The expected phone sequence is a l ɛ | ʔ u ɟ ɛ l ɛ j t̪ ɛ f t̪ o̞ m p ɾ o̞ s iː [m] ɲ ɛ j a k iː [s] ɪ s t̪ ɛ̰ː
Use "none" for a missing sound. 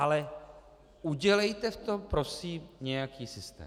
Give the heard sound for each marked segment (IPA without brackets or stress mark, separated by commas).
m, s